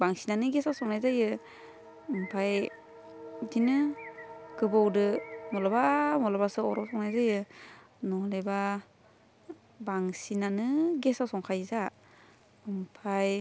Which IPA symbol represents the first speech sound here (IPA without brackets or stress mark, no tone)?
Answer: b